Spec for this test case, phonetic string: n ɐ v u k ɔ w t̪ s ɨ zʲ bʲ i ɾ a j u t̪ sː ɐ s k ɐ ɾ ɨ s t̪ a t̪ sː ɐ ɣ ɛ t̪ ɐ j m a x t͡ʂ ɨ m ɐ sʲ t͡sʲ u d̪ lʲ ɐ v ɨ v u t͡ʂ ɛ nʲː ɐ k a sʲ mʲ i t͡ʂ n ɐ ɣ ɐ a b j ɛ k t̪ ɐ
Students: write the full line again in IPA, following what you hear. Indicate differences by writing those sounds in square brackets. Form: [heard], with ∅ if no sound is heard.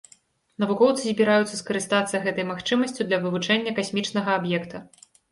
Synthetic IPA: n ɐ v u k ɔ w t̪ s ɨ zʲ bʲ i ɾ a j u t̪ sː ɐ s k ɐ ɾ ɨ s t̪ a t̪ sː ɐ ɣ ɛ t̪ ɐ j m a x t͡ʂ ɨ m ɐ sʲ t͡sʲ u d̪ lʲ ɐ v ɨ v u t͡ʂ ɛ nʲː ɐ k a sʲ mʲ i t͡ʂ n ɐ ɣ ɐ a b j ɛ k t̪ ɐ

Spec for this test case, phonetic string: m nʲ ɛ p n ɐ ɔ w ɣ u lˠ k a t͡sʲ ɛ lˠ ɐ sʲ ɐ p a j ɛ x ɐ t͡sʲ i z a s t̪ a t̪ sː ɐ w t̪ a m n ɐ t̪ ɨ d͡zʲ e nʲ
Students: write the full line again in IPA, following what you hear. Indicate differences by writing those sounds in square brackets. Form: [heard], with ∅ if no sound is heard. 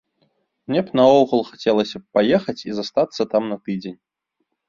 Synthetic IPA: m nʲ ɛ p n ɐ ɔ w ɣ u lˠ [x] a t͡sʲ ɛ lˠ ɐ sʲ ɐ p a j ɛ x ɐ t͡sʲ i z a s t̪ a t̪ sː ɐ [∅] t̪ a m n ɐ t̪ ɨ d͡zʲ e nʲ

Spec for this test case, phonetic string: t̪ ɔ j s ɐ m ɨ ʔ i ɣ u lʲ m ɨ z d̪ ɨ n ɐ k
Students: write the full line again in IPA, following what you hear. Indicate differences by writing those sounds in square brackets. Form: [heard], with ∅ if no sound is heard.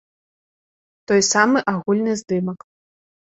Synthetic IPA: t̪ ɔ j s [a] m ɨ ʔ [a] ɣ u lʲ [n] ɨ z d̪ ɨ [m] ɐ k

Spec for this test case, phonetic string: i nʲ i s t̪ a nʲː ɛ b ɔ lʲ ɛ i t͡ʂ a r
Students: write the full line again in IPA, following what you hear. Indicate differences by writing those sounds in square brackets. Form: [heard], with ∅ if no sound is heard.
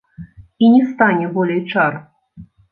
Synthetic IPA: i nʲ [ɛ] s t̪ a [nʲ] ɛ b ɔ lʲ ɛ [j] t͡ʂ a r

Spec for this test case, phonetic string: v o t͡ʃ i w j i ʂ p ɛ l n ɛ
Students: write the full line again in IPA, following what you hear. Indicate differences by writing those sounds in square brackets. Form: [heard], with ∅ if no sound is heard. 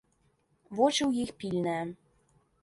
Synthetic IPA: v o t͡ʃ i w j i [x] p [i] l n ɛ

